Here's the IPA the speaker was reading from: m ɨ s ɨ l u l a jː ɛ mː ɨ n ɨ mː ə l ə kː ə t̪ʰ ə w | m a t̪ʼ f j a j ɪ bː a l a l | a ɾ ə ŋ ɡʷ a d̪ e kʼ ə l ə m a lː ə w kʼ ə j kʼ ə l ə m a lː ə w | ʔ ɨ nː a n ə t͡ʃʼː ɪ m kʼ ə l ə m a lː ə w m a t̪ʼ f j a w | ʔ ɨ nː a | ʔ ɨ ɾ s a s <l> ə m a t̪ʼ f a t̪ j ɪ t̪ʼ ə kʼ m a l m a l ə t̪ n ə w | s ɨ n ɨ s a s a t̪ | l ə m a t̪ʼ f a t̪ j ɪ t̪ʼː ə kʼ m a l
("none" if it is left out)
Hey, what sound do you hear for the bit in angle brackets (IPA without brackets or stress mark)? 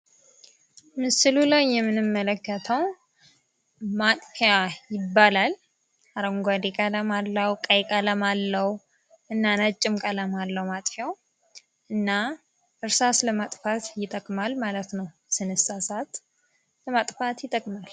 l